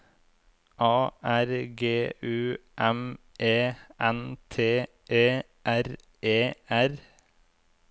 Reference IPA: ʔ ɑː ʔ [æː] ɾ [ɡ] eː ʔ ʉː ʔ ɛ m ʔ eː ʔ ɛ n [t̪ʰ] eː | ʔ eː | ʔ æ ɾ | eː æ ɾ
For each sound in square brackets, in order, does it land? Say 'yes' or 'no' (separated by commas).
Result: no, yes, yes